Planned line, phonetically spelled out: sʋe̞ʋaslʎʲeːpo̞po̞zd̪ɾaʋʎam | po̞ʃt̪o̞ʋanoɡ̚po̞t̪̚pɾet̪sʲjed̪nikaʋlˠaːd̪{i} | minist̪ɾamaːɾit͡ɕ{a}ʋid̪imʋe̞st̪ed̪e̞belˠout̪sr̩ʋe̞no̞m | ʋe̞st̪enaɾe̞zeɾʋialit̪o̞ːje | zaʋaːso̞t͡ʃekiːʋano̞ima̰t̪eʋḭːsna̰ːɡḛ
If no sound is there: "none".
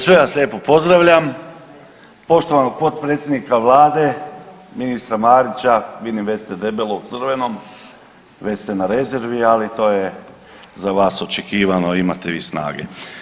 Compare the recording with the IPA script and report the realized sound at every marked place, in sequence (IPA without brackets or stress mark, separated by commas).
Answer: e, a